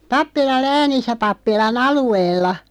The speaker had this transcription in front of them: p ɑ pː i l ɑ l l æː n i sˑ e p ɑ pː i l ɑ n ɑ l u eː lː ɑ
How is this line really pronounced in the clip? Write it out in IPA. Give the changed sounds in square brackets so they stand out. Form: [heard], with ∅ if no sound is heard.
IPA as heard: p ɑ pː i l ɑ l l æː n i sˑ [æ] p ɑ pː i l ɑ n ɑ l u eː lː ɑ